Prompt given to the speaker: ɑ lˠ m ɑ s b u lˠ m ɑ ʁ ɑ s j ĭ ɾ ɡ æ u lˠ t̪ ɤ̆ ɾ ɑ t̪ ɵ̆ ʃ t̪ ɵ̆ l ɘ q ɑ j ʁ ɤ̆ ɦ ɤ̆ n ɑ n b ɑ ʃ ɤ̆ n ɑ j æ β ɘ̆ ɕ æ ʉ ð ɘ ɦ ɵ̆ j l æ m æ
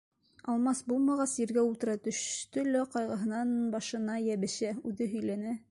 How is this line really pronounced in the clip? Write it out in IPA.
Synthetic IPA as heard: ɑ lˠ m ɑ s b u lˠ m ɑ ʁ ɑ s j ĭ ɾ ɡ æ u lˠ t̪ ɤ̆ ɾ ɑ t̪ ɵ̆ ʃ t̪ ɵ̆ l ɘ q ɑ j ʁ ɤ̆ ɦ ɤ̆ n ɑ n b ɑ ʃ ɤ̆ n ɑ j æ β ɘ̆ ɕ æ ʉ ð ɘ ɦ ɵ̆ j l æ n æ